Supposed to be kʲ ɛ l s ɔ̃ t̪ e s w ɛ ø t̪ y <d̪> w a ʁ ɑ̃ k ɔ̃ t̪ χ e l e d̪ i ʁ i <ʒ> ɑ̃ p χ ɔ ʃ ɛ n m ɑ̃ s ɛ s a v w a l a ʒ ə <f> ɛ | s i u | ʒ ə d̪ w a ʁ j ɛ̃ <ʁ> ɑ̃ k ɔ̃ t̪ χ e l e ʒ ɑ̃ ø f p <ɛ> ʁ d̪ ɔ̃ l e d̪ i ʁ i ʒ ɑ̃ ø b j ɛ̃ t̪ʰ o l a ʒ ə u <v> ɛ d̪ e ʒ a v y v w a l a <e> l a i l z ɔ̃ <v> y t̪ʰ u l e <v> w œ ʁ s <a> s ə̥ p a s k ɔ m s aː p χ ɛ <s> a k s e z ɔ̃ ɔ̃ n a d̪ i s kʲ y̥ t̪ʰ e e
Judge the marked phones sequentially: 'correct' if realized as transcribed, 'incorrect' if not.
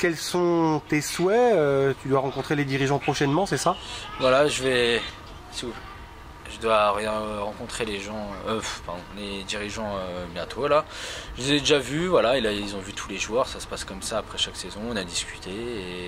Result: correct, correct, incorrect, correct, incorrect, incorrect, correct, correct, incorrect, correct, incorrect

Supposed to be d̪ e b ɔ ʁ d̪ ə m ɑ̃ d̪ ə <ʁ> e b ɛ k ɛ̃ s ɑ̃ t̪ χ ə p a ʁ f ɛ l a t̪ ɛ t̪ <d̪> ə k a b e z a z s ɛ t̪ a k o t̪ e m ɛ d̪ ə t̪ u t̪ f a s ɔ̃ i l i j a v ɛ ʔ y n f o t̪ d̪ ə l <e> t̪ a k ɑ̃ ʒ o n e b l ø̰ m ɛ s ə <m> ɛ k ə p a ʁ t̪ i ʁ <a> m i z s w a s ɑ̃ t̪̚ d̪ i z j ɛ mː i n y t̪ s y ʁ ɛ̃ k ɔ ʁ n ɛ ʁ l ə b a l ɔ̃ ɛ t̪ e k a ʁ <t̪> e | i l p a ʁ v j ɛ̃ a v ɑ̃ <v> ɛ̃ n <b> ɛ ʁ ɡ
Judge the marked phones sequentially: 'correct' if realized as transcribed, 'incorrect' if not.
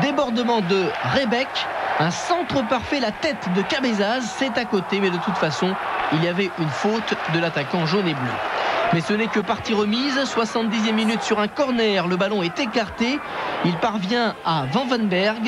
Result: correct, correct, incorrect, incorrect, incorrect, correct, correct, correct

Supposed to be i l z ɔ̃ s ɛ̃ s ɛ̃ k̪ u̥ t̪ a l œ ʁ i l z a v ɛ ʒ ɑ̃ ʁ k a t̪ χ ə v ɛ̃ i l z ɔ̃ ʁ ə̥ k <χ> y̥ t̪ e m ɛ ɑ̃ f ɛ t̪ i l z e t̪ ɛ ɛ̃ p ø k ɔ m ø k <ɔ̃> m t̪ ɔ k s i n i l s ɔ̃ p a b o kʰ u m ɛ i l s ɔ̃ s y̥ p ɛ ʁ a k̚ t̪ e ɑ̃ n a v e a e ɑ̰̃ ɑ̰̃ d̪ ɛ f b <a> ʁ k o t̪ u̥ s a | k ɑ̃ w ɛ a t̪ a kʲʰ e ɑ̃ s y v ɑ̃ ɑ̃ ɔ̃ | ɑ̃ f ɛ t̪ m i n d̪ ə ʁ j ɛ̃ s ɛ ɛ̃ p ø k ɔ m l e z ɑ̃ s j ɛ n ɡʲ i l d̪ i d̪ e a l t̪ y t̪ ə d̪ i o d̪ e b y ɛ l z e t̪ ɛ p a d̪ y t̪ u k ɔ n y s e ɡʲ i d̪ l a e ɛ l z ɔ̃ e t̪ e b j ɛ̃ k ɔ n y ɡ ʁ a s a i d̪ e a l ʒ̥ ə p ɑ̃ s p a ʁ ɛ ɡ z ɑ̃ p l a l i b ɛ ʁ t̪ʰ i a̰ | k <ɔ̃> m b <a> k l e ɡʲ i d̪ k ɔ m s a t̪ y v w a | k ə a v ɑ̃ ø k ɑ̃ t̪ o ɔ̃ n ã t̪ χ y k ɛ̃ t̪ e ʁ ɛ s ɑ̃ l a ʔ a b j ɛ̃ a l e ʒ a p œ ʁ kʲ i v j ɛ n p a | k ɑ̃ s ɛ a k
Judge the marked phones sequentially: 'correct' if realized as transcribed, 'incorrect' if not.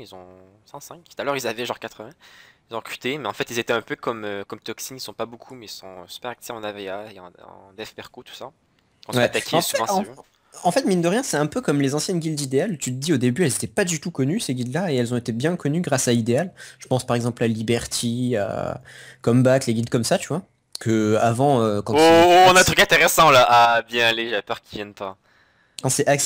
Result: correct, incorrect, incorrect, incorrect, correct

